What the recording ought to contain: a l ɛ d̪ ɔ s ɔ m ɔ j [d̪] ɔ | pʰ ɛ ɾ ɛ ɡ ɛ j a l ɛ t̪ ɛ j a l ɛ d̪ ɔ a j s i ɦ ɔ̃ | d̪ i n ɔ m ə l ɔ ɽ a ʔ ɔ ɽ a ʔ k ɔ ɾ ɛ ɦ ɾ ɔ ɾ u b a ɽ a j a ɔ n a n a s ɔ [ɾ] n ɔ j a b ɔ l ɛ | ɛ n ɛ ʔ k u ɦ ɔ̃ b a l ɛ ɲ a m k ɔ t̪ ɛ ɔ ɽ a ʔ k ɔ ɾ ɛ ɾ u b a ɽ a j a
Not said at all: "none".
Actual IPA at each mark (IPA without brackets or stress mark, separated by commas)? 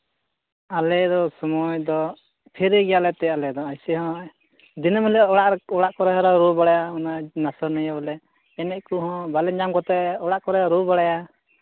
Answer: d̪, ɾ